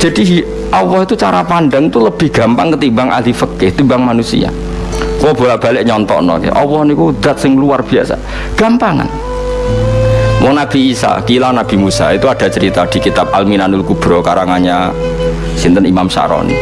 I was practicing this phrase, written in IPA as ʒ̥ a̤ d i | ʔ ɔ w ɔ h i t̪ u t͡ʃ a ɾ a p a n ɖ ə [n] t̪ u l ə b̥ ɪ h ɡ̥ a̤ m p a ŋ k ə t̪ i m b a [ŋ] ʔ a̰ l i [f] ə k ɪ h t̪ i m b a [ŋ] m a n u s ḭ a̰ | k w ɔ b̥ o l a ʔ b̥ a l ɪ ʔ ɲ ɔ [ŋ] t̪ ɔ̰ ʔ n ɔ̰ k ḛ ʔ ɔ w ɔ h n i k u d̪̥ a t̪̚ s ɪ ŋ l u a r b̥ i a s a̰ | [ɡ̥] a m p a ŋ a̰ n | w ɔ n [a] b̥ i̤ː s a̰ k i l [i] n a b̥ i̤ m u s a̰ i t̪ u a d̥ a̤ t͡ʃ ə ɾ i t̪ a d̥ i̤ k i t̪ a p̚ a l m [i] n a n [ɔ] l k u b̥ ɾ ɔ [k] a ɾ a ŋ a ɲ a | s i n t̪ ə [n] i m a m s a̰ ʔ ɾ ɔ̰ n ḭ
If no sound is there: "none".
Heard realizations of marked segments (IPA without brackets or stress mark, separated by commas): ŋ, ŋ, f, ŋ, n, ɡ̥, a, a, i, u, k, n